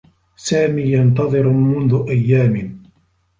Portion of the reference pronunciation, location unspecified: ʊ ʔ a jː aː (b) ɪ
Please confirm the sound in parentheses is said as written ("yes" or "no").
no